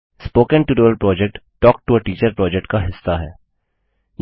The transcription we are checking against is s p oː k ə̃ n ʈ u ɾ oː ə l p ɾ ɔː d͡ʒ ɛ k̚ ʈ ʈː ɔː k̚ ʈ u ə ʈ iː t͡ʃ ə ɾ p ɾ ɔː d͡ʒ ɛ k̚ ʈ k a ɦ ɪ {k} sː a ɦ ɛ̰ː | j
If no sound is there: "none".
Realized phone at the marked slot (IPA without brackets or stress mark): none